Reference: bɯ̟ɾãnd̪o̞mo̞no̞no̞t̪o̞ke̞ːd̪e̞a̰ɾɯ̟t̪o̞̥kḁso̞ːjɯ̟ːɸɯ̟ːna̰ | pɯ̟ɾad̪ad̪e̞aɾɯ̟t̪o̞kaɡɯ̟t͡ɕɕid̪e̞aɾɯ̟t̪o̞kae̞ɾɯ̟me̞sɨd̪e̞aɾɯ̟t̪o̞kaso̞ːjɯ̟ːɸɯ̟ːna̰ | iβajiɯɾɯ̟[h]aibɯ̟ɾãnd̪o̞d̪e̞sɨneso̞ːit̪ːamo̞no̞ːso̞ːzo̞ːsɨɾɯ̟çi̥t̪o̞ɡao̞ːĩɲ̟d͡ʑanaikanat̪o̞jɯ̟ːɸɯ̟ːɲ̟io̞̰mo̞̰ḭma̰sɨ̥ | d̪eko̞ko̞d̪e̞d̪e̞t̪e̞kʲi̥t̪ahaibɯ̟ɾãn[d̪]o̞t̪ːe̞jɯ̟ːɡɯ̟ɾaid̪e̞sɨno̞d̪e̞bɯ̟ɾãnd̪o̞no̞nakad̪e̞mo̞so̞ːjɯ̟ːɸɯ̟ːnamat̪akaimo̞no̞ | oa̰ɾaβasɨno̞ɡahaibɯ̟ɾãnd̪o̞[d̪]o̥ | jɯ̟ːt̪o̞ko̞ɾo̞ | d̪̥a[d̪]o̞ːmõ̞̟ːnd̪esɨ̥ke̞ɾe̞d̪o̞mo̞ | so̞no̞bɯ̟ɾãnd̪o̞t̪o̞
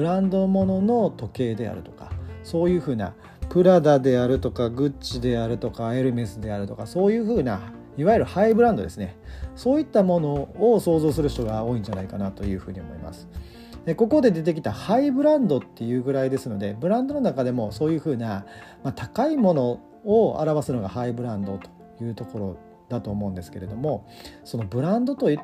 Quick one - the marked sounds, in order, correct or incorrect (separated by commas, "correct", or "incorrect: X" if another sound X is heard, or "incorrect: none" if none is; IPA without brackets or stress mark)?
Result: correct, correct, incorrect: t̪, incorrect: t̪